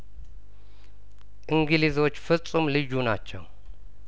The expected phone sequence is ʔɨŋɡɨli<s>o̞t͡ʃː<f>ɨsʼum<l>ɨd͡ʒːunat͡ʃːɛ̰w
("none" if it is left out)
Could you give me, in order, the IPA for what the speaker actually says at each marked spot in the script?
z, f, l

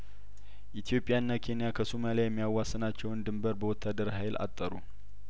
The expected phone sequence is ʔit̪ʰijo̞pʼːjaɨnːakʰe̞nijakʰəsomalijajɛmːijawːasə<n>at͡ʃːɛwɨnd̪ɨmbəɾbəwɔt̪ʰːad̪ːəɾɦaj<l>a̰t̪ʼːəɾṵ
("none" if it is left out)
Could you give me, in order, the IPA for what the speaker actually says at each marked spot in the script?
n, l

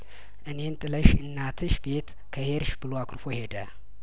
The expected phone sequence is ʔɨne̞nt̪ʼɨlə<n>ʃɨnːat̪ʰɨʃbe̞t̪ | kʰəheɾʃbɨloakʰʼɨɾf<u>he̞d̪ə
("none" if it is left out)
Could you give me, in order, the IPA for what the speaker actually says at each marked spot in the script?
none, o

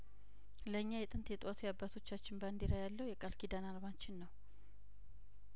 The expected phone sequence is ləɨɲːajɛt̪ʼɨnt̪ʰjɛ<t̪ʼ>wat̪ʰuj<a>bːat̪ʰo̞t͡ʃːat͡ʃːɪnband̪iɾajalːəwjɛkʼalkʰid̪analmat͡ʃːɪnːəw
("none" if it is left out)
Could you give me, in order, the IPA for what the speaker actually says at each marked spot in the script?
t̪ʼ, a

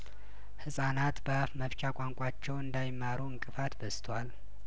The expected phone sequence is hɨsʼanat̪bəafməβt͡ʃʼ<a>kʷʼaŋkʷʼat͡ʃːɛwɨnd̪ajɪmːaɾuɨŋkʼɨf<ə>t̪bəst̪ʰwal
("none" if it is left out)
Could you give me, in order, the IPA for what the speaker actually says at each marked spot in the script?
a, a

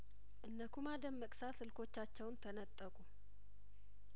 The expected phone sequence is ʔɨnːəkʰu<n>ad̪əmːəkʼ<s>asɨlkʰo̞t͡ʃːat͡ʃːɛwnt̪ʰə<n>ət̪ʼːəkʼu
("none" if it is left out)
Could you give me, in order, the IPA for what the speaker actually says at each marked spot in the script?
m, s, n

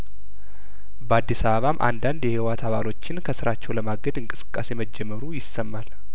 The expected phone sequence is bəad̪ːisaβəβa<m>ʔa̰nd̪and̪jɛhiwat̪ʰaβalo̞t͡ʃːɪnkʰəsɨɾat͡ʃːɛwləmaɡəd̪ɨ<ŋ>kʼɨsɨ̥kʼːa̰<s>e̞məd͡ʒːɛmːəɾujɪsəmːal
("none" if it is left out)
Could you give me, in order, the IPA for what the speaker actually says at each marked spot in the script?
m, ŋ, s

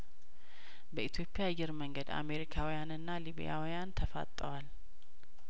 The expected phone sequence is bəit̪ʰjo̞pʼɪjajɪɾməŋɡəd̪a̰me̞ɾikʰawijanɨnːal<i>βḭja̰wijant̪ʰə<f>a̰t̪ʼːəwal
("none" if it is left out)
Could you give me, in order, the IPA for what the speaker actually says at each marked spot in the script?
i, f

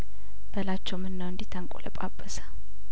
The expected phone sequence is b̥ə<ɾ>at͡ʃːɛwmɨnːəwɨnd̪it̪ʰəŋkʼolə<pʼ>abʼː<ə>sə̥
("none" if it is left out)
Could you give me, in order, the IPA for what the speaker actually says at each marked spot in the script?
l, pʼ, ə

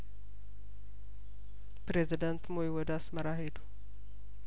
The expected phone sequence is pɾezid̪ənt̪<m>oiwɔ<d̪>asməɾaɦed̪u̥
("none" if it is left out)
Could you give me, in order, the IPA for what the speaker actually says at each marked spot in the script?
m, d̪

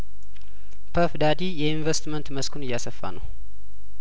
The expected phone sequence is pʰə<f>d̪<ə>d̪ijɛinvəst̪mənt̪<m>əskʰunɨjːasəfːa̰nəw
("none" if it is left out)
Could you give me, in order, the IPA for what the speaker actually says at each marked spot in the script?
f, a, m

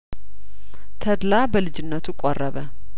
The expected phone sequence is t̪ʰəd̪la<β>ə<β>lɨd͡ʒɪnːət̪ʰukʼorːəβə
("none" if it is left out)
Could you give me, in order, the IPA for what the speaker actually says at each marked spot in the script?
b, none

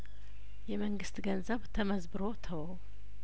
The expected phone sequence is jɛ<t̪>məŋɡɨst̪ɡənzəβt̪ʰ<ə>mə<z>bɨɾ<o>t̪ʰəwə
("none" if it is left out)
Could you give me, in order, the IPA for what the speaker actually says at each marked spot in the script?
none, ə, z, o

